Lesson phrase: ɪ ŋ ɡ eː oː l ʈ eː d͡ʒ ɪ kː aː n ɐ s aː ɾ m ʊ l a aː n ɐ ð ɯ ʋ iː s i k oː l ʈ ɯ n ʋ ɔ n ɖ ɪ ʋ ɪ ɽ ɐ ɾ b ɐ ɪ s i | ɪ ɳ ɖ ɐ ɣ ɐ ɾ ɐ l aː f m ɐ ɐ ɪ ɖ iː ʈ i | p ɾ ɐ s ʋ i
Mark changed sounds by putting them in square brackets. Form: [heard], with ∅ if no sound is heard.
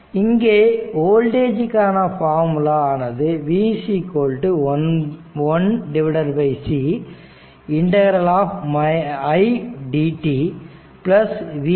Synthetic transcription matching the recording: ɪ ŋ ɡ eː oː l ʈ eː d͡ʒ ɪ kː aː n ɐ [f] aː ɾ m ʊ l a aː n ɐ ð ɯ ʋ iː s i k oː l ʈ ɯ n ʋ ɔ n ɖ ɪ ʋ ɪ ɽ ɐ ɾ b ɐ ɪ s i | ɪ ɳ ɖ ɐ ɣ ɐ ɾ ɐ l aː f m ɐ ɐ ɪ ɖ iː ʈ i | p [l] ɐ s ʋ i